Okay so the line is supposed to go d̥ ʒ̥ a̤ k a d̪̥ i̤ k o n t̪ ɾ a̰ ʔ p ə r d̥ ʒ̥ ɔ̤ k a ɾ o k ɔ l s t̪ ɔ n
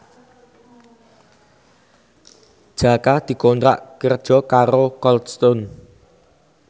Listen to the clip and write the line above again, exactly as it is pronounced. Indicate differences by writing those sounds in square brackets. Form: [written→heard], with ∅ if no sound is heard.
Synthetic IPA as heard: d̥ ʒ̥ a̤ k a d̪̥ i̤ k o n t̪ ɾ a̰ ʔ [p→k] ə r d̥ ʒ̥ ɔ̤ k a ɾ o k ɔ l s t̪ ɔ n